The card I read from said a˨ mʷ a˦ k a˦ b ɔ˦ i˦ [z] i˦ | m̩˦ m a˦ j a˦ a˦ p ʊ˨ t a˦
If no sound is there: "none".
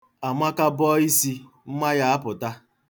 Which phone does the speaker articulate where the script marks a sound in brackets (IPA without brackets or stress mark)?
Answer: s